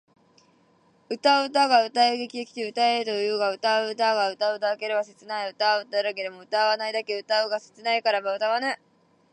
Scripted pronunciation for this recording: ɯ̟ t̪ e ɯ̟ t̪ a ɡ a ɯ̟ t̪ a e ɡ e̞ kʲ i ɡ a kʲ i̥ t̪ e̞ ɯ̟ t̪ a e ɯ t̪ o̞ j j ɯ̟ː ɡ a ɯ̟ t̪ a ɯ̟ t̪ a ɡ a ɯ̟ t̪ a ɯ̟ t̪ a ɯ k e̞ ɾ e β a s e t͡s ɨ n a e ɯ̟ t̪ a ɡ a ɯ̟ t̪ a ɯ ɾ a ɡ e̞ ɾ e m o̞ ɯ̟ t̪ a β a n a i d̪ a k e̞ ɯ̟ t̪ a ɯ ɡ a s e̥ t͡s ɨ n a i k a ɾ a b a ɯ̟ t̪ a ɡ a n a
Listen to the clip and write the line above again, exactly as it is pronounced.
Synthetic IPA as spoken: ɯ̟ t̪ a ɯ̟ t̪ a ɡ a ɯ̟ t̪ a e ɡ e̞ kʲ i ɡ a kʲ i̥ t̪ e̞ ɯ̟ t̪ a e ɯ t̪ o̞ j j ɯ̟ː ɡ a ɯ̟ t̪ a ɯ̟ t̪ a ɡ a ɯ̟ t̪ a ɯ̟ t̪ a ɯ k e̞ ɾ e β a s e t͡s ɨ n a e ɯ̟ t̪ a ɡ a ɯ̟ t̪ a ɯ ɾ a ɡ e̞ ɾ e m o̞ ɯ̟ t̪ a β a n a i d̪ a k e̞ ɯ̟ t̪ a ɯ ɡ a s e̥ t͡s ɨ n a i k a ɾ a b a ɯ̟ t̪ a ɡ a n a